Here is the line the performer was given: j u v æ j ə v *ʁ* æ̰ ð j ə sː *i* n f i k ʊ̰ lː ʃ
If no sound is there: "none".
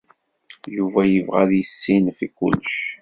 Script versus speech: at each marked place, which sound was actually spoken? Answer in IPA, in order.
ʁ, i

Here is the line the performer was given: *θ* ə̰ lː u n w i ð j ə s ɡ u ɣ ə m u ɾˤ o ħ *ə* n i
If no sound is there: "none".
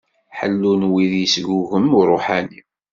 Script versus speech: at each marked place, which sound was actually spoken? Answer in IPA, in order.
ħ, a

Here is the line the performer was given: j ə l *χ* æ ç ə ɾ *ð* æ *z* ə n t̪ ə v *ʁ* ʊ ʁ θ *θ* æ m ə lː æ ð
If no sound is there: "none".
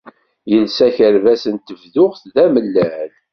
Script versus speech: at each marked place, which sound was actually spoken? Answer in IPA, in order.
s, v, s, ð, ð

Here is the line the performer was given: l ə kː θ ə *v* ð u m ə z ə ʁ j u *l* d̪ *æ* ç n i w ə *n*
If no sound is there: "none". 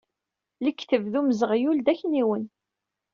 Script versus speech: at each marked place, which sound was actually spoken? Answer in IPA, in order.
v, l, æ, n

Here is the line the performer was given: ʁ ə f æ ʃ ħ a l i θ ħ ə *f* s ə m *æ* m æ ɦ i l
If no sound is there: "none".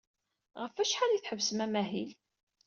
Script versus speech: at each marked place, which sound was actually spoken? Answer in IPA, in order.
v, æ

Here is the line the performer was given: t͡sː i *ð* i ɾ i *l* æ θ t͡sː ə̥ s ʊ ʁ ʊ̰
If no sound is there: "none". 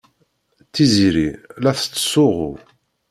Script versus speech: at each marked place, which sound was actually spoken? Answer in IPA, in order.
z, l

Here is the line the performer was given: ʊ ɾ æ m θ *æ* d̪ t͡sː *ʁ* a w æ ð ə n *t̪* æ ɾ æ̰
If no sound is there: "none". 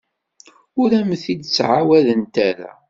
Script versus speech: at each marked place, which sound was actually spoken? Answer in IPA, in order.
i, ʕ, t̪

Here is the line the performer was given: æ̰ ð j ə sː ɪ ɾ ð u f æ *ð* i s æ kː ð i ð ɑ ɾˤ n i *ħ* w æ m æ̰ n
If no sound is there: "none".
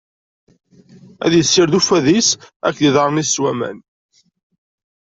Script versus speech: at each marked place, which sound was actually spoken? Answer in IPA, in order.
ð, s

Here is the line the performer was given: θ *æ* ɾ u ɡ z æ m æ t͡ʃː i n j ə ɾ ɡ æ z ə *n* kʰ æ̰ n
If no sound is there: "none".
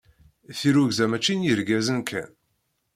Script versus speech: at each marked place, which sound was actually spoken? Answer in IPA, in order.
i, n

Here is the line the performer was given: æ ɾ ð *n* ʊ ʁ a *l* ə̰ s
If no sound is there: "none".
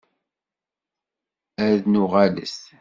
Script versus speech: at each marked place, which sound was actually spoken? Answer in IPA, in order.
n, l

